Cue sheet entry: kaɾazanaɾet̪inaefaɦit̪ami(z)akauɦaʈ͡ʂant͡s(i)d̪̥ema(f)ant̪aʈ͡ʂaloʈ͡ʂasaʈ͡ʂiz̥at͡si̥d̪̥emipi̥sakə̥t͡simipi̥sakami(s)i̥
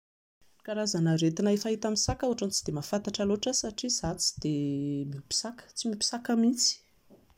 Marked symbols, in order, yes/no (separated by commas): no, yes, yes, no